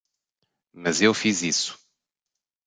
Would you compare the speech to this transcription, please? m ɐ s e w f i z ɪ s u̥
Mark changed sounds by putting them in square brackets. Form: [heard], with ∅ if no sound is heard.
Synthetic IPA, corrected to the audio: m ɐ [z] e w f i z [i] s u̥